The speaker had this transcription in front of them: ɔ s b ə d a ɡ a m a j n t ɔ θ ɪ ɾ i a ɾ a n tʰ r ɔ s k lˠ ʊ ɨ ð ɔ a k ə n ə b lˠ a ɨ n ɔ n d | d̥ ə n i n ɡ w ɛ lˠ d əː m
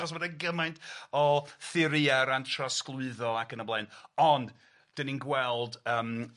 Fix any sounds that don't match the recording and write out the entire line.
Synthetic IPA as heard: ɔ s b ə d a ɡ ə m a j n t ɔ θ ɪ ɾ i a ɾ a n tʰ r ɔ s k lˠ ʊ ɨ ð ɔ a k ə n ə b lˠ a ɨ n ɔ n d | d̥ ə n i n ɡ w ɛ lˠ d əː m